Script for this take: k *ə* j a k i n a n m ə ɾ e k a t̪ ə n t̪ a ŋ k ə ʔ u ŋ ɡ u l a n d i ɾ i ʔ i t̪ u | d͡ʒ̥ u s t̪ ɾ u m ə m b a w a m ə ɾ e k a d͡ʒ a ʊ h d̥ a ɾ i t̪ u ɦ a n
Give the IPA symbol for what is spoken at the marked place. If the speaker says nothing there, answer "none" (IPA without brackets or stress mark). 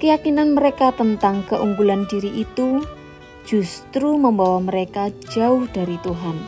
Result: ə